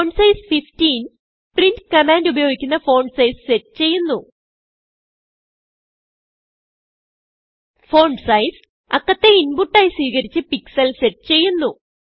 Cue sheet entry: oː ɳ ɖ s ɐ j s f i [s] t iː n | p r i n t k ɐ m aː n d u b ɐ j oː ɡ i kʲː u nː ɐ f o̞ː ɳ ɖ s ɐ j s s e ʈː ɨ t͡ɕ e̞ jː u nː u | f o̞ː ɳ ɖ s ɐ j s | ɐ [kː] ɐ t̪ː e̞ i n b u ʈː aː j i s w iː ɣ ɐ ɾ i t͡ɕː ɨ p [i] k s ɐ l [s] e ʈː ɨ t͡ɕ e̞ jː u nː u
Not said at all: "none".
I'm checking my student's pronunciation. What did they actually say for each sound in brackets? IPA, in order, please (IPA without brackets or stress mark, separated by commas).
f, kː, i, s